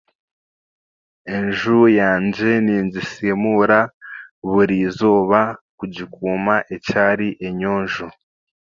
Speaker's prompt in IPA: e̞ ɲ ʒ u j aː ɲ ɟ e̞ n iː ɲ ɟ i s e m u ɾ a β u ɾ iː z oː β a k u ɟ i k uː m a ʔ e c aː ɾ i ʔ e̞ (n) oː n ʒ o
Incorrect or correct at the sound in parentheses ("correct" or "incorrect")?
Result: incorrect